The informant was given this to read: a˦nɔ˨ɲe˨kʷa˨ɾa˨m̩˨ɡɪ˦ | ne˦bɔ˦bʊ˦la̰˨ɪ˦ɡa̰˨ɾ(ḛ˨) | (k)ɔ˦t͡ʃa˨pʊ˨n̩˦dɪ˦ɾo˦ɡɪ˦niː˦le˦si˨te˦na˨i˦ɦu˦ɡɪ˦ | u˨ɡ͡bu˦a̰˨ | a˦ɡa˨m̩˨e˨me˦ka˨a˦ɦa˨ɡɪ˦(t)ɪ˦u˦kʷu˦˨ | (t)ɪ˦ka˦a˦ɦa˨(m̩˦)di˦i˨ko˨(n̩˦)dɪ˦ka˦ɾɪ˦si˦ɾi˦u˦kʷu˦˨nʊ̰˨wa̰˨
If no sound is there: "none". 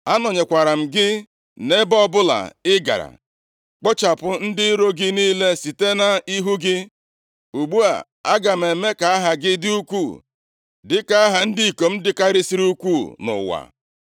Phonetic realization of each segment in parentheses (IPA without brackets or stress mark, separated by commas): a̰˨, k͡p, d, d, n̩˦, m̩˦